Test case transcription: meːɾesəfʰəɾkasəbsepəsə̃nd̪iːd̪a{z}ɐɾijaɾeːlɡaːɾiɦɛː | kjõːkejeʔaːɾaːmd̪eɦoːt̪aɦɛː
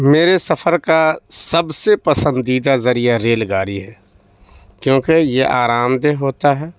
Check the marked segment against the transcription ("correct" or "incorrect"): correct